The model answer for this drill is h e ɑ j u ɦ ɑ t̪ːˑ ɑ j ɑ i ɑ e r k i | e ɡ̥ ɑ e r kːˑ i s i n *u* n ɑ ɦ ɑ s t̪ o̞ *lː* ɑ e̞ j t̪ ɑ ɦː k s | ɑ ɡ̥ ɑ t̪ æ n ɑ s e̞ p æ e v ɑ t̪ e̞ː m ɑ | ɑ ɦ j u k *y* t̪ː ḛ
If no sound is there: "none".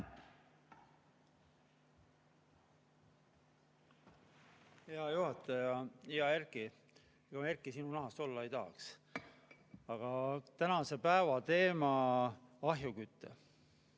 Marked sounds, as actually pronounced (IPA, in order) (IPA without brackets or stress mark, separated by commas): u, lː, y